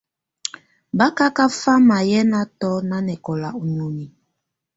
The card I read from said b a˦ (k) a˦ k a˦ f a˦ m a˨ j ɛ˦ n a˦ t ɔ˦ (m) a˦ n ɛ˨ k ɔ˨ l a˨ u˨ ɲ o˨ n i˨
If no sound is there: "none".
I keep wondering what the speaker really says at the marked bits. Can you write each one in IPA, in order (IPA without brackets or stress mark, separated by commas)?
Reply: k, n